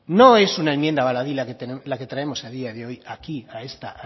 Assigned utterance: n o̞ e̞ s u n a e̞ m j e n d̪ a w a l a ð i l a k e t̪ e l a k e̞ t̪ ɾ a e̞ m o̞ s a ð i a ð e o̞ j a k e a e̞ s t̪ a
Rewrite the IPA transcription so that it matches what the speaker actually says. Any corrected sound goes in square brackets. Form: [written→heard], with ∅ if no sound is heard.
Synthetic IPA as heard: n o̞ e̞ s u n a e̞ m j e n d̪ a [w→β] a l a ð i l a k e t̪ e l a k e̞ t̪ ɾ a e̞ m o̞ s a ð i a ð e o̞ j a k [e→i] a e̞ s t̪ a

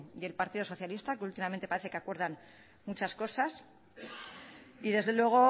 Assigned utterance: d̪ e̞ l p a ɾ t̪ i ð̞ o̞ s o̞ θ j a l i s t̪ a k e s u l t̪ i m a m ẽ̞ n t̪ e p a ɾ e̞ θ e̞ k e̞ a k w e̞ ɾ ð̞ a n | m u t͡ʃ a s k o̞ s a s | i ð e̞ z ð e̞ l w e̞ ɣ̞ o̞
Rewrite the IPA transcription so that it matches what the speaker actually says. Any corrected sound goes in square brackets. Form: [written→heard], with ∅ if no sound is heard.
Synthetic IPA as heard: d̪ e̞ l p a ɾ t̪ i ð̞ o̞ s o̞ θ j a l i s t̪ a k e [s→∅] u l t̪ i m a m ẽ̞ n t̪ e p a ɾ e̞ θ e̞ k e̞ a k w e̞ ɾ ð̞ a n | m u t͡ʃ a s k o̞ s a s | i ð e̞ z ð e̞ l w e̞ ɣ̞ o̞

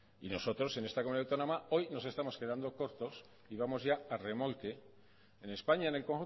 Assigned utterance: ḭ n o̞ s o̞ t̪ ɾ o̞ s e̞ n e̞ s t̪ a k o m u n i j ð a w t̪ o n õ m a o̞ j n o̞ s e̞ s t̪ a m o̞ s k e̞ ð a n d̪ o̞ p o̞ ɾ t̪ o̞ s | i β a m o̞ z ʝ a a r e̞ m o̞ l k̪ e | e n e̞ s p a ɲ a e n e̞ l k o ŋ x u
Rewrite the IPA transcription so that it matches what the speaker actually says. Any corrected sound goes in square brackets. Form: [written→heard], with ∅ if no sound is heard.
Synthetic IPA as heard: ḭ n o̞ s o̞ t̪ ɾ o̞ s e̞ n e̞ s t̪ a k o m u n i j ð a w t̪ o n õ m a o̞ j n o̞ s e̞ s t̪ a m o̞ s k e̞ ð a n d̪ o̞ [p→k] o̞ ɾ t̪ o̞ s | i β a m o̞ z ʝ a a r e̞ m o̞ l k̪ e | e n e̞ s p a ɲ a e n e̞ l k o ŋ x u

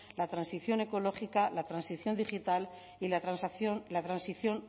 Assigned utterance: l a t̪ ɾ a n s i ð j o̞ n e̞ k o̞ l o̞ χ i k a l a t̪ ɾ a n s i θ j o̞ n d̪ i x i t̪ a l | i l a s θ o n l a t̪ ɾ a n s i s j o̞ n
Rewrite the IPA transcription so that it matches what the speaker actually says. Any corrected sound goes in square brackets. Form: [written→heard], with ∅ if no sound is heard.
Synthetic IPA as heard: l a t̪ ɾ a n s i [ð→θ] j o̞ n e̞ k o̞ l o̞ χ i k a l a t̪ ɾ a n s i θ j o̞ n d̪ i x i t̪ a l | i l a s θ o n l a t̪ ɾ a n s i [s→θ] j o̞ n

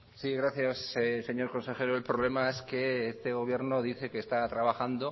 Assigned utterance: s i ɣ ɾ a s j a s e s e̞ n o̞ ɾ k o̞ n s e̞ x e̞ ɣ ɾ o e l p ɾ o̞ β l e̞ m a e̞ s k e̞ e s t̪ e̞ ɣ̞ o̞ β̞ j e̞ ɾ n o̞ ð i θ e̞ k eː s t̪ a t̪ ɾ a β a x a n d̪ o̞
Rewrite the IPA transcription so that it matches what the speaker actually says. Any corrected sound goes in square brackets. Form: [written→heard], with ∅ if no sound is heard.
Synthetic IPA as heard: s i ɣ ɾ a [s→θ] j a s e s e̞ [n→ɲ] o̞ ɾ k o̞ n s e̞ x e̞ [ɣ→∅] ɾ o e l p ɾ o̞ β l e̞ m a e̞ s k e̞ e s t̪ e̞ ɣ̞ o̞ β̞ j e̞ ɾ n o̞ ð i θ e̞ k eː s t̪ a t̪ ɾ a β a x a n d̪ o̞

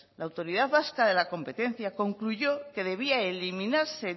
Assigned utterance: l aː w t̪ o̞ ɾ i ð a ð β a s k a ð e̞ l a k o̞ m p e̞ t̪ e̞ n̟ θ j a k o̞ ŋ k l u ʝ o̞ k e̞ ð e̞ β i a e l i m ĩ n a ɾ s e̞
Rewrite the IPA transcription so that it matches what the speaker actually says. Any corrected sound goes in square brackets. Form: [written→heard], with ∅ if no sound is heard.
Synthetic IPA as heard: l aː w t̪ o̞ ɾ i ð a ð β a s k a ð e̞ l a k o̞ m p e̞ t̪ e̞ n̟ θ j a k o̞ ŋ k l u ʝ o̞ k e̞ ð e̞ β i a e l i m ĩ n a ɾ s e̞

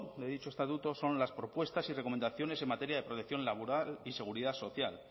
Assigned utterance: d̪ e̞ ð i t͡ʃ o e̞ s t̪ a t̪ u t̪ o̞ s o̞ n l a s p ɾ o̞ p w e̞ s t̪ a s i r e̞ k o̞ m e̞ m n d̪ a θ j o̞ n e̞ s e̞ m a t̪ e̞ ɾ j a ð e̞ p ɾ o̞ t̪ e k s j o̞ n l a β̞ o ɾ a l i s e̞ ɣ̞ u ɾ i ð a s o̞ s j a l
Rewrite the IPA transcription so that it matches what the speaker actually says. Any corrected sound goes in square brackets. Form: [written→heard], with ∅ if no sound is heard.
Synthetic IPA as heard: d̪ e̞ ð i t͡ʃ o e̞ s t̪ a t̪ u t̪ o̞ s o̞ n l a s p ɾ o̞ p w e̞ s t̪ a s i r e̞ k o̞ m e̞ [m→∅] n d̪ a θ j o̞ n e̞ s e̞ m a t̪ e̞ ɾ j a ð e̞ p ɾ o̞ t̪ e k [s→θ] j o̞ n l a β̞ o ɾ a l i s e̞ ɣ̞ u ɾ i ð a s o̞ [s→θ] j a l

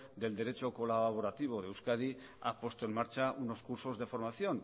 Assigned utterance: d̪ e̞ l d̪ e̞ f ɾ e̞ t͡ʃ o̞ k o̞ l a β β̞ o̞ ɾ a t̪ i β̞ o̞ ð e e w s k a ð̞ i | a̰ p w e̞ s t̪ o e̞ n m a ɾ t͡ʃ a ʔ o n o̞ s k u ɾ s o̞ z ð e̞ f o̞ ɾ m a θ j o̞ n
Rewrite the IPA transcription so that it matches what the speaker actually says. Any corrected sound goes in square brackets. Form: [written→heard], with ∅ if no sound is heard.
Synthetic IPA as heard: d̪ e̞ l d̪ e̞ [f→∅] ɾ e̞ t͡ʃ o̞ k o̞ l a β β̞ o̞ ɾ a t̪ i β̞ o̞ ð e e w s k a ð̞ i | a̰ p w e̞ s t̪ o e̞ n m a ɾ t͡ʃ a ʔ [o→u] n o̞ s k u ɾ s o̞ z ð e̞ f o̞ ɾ m a θ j o̞ n

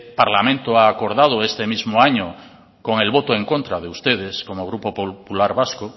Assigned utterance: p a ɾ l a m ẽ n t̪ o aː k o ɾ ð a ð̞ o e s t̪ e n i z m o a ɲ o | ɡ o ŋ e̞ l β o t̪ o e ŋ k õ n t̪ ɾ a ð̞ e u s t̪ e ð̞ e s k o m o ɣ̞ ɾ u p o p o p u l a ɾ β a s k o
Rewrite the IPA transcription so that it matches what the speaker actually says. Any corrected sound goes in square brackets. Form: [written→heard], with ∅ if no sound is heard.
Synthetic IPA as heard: p a ɾ l a m ẽ n t̪ o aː k o ɾ ð a ð̞ o e s t̪ e [n→m] i z m o a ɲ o | [ɡ→k] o ŋ e̞ l β o t̪ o e ŋ k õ n t̪ ɾ a ð̞ e u s t̪ e ð̞ e s k o m o ɣ̞ ɾ u p o p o p u l a ɾ β a s k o

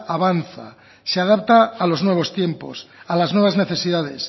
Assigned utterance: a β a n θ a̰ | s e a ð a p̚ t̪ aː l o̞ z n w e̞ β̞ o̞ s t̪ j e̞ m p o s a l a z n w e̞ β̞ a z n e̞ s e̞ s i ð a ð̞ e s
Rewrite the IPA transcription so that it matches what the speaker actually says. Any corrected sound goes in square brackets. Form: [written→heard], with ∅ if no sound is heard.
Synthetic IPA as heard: a β a n θ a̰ | s e a ð a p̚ t̪ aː l o̞ z n w e̞ β̞ o̞ s t̪ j e̞ m p o s a l a z n w e̞ β̞ a z n e̞ [s→θ] e̞ s i ð a ð̞ e s

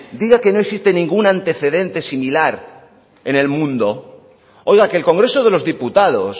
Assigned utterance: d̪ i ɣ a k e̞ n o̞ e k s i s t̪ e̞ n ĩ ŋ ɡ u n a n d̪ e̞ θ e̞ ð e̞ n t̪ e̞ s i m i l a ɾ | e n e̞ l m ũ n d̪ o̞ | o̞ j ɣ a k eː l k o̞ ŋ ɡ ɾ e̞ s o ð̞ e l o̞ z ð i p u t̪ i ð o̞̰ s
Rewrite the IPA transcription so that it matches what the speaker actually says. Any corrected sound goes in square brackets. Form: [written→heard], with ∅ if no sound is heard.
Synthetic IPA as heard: d̪ i ɣ a k e̞ n o̞ e k s i s t̪ e̞ n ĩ ŋ ɡ u n a n [d̪→t̪] e̞ θ e̞ ð e̞ n t̪ e̞ s i m i l a ɾ | e n e̞ l m ũ n d̪ o̞ | o̞ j ɣ a k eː l k o̞ ŋ ɡ ɾ e̞ s o ð̞ e l o̞ z ð i p u t̪ [i→a] ð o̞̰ s

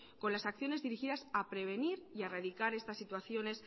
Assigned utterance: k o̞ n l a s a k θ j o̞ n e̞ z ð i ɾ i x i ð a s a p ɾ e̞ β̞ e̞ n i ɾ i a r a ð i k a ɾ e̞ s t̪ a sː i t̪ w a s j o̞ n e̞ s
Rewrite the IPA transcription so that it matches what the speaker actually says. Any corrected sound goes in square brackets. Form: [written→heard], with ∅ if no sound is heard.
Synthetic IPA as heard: k o̞ n l a s a k θ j o̞ n e̞ z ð i ɾ i x i ð a s a p ɾ e̞ β̞ e̞ n i ɾ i a r a ð i k a ɾ e̞ s t̪ a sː i t̪ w a [s→θ] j o̞ n e̞ s

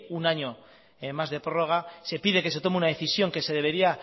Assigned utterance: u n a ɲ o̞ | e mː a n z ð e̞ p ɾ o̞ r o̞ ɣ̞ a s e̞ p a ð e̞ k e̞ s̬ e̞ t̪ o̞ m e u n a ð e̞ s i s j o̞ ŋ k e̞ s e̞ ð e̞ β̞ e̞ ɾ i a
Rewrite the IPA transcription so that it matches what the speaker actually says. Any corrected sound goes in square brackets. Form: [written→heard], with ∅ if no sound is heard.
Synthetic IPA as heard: u n a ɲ o̞ | e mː a [n→∅] z ð e̞ p ɾ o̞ r o̞ ɣ̞ a s e̞ p [a→i] ð e̞ k e̞ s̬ e̞ t̪ o̞ m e u n a ð e̞ [s→θ] i s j o̞ ŋ k e̞ s e̞ ð e̞ β̞ e̞ ɾ i a

